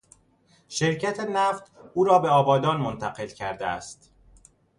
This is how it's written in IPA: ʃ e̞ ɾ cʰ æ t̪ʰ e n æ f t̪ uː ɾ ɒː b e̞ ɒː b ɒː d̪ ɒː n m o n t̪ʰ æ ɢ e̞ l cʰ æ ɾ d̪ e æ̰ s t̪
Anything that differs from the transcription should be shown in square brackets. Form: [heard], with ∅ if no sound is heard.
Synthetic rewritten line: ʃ e̞ ɾ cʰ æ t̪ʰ e n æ f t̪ uː ɾ ɒː b e̞ ɒː b ɒː d̪ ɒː n m o n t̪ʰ æ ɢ e̞ l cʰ æ ɾ d̪ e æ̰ s t̪

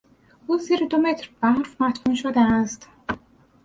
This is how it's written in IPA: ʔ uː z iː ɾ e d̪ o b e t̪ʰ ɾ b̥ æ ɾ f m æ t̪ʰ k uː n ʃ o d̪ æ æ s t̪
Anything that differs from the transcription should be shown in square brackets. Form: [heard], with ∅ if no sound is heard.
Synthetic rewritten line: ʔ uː z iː ɾ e d̪ o [m] e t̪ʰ ɾ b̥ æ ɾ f m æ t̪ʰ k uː n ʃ o d̪ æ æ s t̪

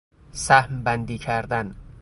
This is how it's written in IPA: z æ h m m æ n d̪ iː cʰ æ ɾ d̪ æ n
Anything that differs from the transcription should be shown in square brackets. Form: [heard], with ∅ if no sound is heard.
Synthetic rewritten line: [s] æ h m [b] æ n d̪ iː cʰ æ ɾ d̪ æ n

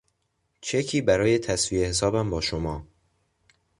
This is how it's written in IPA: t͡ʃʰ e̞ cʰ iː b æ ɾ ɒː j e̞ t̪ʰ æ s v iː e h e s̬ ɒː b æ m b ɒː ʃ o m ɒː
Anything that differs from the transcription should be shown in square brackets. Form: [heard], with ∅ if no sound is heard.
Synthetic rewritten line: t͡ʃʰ e̞ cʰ iː b æ ɾ ɒː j e̞ t̪ʰ æ s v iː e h e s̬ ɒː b æ m b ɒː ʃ o m ɒː

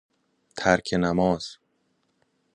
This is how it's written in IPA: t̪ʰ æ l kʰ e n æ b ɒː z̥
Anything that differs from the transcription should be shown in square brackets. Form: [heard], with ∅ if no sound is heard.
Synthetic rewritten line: t̪ʰ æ [ɾ] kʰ e n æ [m] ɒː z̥

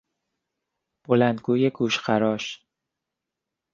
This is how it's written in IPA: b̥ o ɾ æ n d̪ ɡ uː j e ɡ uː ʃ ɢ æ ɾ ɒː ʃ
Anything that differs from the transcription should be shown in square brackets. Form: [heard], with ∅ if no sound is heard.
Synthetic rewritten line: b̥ o [l] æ n d̪ ɡ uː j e ɡ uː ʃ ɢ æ ɾ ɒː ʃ

